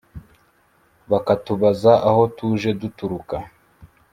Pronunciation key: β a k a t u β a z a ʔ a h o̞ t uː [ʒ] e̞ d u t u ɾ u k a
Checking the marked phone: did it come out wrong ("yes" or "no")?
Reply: no